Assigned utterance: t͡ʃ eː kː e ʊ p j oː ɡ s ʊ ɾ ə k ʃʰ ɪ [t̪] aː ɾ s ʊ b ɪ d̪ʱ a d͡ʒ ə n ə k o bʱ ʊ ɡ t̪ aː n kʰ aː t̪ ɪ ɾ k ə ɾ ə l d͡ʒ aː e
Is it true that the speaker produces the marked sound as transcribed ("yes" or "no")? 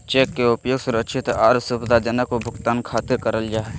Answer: yes